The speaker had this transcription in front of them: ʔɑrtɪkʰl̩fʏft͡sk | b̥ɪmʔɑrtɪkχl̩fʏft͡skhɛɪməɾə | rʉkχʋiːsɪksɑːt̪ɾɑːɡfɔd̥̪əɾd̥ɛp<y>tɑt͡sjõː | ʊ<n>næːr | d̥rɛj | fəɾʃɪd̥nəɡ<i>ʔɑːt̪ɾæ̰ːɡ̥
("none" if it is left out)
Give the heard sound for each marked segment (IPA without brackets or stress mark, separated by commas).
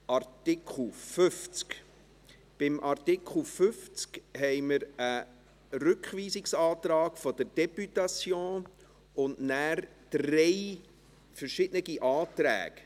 y, n, i